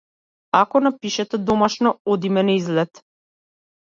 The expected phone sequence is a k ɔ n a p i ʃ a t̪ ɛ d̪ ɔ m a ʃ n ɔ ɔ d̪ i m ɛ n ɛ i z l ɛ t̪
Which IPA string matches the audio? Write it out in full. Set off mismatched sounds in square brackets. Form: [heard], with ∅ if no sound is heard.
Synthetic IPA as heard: a k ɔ n a p i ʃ [ɛ] t̪ ɛ d̪ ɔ m a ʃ n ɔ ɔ d̪ i m ɛ n ɛ i z l ɛ t̪